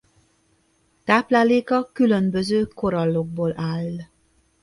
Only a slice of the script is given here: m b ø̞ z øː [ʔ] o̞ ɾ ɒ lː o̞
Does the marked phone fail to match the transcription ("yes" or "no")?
yes